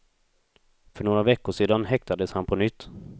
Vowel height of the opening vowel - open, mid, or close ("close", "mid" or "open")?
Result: mid